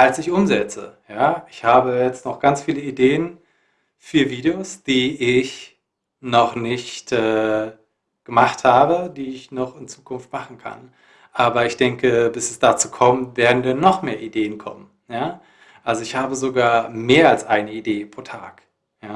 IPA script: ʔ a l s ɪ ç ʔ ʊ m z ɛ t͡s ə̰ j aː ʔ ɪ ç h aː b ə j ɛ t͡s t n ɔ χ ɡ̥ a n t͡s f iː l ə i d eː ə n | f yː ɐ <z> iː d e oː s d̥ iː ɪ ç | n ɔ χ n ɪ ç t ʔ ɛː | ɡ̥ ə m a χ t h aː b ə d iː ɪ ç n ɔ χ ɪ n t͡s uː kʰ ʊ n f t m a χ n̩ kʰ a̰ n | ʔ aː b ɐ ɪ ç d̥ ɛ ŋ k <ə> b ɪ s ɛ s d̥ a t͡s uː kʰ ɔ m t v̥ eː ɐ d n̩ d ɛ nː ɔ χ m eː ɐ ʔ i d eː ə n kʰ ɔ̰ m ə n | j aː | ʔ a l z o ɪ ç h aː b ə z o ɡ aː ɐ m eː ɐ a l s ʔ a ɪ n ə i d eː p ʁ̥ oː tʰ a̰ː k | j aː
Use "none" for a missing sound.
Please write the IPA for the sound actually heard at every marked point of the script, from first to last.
v, ə

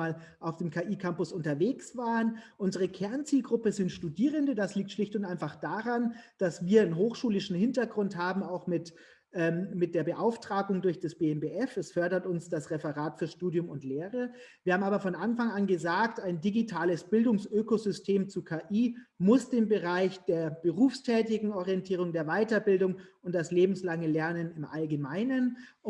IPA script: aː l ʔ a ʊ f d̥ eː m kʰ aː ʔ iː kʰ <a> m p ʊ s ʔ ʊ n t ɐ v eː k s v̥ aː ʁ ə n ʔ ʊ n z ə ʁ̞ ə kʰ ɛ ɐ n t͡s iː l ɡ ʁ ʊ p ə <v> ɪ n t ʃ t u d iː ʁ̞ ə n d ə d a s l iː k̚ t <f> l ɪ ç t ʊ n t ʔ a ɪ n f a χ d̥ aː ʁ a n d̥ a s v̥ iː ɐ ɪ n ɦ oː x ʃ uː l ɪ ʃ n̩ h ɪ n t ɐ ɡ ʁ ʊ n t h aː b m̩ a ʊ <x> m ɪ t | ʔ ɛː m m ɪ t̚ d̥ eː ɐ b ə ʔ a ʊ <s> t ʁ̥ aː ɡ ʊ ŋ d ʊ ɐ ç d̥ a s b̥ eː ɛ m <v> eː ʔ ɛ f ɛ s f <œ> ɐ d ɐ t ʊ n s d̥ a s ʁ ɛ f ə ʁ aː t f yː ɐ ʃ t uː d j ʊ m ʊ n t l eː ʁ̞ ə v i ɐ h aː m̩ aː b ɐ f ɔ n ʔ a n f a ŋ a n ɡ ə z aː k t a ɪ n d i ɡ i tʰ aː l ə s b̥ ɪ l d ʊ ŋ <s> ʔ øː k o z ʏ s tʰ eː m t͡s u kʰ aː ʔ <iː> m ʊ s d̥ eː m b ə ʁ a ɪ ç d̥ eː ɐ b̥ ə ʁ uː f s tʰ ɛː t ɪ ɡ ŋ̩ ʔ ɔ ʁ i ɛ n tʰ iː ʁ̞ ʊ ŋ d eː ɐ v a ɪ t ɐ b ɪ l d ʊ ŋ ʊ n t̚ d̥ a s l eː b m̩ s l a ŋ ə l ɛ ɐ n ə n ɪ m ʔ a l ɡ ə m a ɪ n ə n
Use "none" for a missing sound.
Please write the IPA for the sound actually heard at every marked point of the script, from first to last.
a, z, ʃ, x, f, b, œ, s, iː

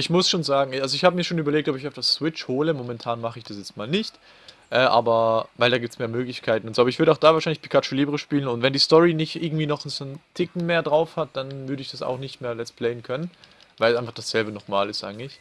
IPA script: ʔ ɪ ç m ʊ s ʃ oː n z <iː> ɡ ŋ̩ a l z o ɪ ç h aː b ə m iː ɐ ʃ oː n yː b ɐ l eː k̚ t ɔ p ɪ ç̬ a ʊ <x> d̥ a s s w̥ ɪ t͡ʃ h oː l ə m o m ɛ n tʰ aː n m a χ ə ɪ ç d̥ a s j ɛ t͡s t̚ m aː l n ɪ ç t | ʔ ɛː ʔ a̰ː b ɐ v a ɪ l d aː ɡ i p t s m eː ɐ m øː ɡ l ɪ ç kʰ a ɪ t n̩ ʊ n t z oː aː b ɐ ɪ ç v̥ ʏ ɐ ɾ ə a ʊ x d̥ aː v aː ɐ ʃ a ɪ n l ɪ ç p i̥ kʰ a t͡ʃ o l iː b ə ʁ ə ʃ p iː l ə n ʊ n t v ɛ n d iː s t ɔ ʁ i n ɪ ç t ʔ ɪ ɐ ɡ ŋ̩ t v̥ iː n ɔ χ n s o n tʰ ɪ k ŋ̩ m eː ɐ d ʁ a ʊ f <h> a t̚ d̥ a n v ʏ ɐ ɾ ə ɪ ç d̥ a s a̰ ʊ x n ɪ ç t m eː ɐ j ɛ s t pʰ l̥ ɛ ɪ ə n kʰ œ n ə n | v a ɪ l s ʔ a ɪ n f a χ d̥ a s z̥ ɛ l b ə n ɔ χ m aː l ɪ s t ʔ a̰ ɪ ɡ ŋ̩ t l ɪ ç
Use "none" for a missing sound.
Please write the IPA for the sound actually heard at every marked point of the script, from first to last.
aː, f, h

